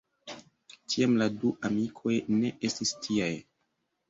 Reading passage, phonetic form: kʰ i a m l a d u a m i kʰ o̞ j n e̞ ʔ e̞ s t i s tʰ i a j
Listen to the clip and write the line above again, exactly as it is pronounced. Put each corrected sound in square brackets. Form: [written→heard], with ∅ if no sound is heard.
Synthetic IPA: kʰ i a m l a d u a m i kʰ o̞ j n e̞ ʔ e̞ s t i s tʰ i a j